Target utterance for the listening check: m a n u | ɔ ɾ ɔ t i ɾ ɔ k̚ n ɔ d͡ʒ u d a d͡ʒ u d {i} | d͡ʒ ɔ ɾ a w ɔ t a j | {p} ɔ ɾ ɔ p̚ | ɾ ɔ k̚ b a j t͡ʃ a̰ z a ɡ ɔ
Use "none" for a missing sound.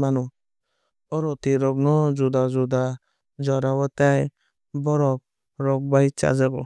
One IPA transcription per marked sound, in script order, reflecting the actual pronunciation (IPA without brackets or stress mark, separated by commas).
a, b